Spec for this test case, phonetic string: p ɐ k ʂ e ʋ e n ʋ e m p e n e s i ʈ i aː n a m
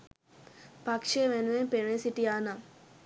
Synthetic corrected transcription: p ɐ k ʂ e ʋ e n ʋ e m p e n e s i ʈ i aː n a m